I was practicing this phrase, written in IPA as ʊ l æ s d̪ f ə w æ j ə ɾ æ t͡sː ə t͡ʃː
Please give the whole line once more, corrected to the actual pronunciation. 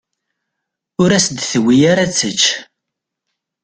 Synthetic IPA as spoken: ʊ ɾ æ s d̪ θ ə w i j a ɾ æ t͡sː ə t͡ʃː

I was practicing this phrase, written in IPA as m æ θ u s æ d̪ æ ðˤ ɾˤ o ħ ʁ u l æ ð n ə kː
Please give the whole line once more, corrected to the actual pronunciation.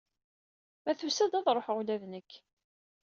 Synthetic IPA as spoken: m æ θ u s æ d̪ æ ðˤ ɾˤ o ħ ʁ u l æ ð n ə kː

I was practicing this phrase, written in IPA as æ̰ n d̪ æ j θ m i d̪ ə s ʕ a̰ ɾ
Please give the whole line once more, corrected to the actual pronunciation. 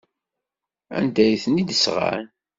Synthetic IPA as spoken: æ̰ n d̪ æ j θ n i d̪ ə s ʁ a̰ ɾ

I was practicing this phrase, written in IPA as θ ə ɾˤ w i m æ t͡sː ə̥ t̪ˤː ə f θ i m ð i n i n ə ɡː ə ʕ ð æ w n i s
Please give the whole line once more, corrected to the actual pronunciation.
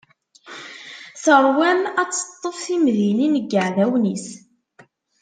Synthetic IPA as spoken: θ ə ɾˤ w æ m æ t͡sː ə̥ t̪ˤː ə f θ i m ð i n i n ə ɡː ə ʕ ð æ w n i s

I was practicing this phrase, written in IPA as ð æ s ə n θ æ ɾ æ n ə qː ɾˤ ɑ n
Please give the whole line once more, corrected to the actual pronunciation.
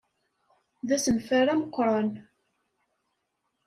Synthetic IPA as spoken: ð æ s ə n f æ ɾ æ m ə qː ɾˤ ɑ n

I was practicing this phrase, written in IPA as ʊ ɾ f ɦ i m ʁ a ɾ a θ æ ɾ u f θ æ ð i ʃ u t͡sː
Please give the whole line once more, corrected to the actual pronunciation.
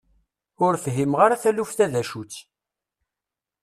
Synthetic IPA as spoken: ʊ ɾ f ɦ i m ʁ a ɾ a θ æ l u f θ æ ð æ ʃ u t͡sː

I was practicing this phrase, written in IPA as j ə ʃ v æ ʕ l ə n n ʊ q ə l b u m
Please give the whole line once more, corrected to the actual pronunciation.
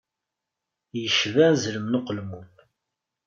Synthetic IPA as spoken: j ə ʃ v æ z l ə m n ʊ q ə l m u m

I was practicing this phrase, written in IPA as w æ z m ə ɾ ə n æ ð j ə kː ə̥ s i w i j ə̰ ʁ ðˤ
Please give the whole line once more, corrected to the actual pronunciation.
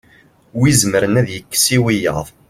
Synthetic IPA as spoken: w i z m ə ɾ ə n æ ð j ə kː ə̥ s i w i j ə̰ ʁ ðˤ

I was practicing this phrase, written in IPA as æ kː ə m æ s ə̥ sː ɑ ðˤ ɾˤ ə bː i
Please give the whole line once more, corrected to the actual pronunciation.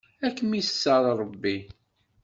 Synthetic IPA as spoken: æ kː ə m i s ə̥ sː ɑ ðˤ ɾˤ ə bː i

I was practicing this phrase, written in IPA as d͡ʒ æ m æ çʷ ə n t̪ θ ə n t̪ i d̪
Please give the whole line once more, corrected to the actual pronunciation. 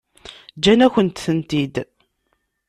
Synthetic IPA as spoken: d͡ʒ æ n æ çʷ ə n t̪ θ ə n t̪ i d̪

